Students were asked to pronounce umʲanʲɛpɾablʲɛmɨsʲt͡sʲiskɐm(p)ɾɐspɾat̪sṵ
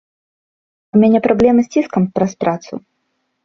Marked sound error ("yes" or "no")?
no